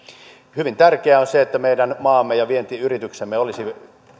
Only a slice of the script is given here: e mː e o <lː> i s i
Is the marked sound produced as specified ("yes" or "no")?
no